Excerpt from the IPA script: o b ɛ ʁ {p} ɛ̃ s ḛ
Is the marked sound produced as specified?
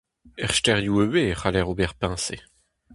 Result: yes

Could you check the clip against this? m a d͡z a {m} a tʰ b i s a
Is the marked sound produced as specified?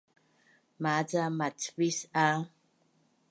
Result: yes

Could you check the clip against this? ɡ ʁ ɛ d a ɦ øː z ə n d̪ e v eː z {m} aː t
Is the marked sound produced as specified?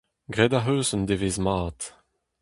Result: yes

